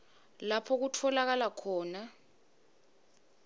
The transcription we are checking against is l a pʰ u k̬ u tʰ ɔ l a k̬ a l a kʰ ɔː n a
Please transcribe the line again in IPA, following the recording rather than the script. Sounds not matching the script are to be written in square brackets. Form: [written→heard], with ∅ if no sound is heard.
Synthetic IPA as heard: l a pʰ [u→ɔ] k̬ u tʰ ɔ l a k̬ a l a kʰ ɔː n a